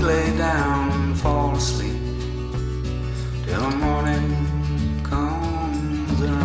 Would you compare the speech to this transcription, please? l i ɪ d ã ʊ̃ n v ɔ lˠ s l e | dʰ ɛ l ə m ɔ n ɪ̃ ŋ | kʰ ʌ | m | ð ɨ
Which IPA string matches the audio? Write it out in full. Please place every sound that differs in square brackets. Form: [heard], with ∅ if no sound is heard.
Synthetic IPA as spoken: l [e] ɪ d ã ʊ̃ n [f] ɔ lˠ s l [i] | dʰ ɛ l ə m ɔ n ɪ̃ ŋ | kʰ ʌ | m | [z] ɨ